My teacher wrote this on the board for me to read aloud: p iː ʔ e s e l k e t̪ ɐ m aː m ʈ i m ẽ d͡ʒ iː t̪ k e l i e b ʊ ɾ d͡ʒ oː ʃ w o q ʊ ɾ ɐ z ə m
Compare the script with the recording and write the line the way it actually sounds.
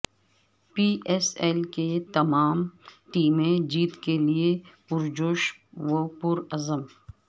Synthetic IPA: p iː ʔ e s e l k e t̪ ɐ m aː m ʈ iː m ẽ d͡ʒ iː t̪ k e l i e p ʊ ɾ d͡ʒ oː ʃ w o p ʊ ɾ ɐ z ə m